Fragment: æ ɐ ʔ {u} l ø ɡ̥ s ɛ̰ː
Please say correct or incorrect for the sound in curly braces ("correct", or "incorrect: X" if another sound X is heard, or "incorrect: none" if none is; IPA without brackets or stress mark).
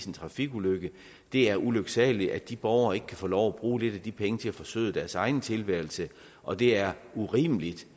correct